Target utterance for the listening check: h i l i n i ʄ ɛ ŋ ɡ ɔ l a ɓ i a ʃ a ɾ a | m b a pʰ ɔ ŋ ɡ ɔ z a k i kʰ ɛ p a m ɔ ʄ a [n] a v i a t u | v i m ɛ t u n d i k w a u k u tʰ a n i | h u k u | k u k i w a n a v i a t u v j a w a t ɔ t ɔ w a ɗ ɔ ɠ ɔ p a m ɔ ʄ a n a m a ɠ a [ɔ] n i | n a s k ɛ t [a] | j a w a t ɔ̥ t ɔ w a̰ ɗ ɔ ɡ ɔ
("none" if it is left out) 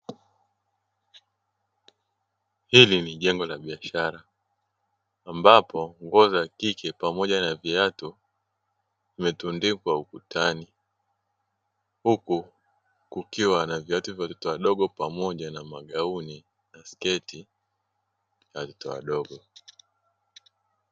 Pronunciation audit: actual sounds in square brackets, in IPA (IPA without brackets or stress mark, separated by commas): n, u, i